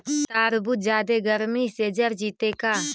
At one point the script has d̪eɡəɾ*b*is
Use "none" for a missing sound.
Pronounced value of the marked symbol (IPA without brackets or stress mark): m